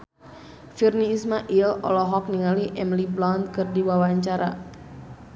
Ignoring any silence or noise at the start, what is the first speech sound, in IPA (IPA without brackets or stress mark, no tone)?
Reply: f